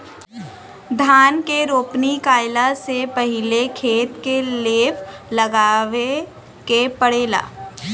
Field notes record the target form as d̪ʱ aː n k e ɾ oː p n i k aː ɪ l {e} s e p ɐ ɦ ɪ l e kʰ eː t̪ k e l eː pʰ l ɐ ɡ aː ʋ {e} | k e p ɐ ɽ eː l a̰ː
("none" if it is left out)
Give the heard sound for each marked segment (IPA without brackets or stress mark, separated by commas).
a, e